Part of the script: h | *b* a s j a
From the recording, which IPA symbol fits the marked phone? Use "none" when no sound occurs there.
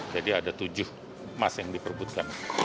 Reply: m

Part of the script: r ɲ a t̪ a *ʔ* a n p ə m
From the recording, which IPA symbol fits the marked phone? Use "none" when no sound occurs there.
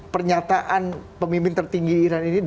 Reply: ʔ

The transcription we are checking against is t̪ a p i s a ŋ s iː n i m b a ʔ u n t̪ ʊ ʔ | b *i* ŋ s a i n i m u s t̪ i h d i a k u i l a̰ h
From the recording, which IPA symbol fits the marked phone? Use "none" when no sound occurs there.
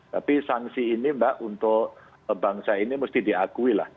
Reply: a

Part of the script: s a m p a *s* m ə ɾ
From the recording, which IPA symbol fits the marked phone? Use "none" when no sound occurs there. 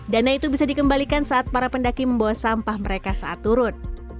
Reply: h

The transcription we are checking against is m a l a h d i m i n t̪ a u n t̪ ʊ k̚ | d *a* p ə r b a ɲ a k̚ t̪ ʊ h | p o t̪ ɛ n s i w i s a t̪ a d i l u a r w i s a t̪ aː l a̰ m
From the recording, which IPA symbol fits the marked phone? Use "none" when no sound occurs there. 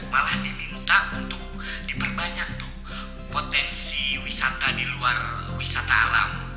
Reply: i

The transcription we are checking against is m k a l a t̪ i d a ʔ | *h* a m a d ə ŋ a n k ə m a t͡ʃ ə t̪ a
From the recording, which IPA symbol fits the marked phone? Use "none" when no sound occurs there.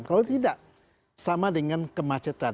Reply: s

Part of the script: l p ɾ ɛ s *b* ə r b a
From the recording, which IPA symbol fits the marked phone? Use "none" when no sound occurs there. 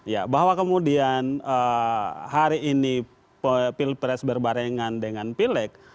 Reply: b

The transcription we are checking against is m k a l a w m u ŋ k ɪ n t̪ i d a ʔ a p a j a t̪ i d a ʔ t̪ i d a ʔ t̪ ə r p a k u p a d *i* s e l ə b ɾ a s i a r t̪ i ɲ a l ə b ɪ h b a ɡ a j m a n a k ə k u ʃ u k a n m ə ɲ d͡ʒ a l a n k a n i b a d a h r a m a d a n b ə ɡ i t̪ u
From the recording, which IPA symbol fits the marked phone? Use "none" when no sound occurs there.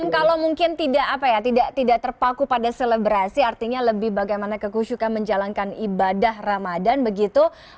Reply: a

